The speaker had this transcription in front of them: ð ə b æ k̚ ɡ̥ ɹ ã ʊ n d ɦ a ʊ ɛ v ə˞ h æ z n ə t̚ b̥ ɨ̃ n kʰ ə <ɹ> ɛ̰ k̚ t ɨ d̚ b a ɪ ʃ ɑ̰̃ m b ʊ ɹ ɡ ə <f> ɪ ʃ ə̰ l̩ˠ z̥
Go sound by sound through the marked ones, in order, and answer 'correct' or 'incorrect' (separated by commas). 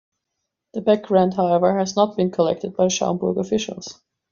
incorrect, correct